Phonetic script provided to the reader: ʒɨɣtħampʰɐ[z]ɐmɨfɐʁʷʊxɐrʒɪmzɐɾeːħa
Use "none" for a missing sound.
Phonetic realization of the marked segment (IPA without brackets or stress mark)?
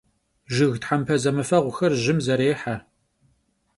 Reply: z